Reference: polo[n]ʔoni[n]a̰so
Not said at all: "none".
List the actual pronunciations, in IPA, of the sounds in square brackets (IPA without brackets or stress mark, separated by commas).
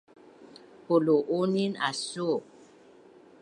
none, n